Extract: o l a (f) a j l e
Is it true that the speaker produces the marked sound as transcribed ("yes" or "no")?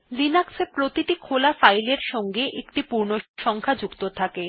yes